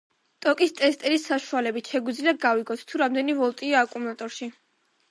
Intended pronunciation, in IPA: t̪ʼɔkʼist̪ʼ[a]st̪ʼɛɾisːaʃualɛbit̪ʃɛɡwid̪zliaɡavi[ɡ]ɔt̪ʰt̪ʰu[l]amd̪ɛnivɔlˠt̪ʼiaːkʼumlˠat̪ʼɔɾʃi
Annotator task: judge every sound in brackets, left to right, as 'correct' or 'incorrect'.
incorrect: ɛ, correct, incorrect: ɾ

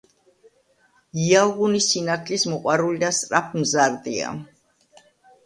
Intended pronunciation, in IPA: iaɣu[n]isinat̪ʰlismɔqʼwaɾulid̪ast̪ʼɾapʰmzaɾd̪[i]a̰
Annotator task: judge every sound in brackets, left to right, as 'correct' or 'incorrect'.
correct, correct

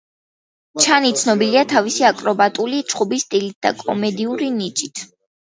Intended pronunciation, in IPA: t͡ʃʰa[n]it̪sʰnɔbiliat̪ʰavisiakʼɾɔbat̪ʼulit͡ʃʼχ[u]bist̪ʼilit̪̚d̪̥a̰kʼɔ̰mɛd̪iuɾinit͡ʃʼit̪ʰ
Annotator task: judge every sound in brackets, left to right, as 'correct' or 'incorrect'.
correct, correct

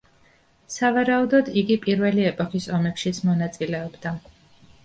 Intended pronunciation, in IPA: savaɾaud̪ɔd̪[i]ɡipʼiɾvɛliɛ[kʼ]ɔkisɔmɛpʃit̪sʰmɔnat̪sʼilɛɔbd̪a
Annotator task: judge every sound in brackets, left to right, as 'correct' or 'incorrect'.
correct, incorrect: pʼ

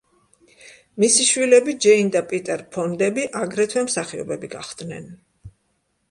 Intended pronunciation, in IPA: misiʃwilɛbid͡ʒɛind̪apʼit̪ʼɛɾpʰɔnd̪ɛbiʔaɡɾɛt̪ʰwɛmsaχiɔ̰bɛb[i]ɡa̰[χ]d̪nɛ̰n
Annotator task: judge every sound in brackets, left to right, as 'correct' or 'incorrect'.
correct, correct

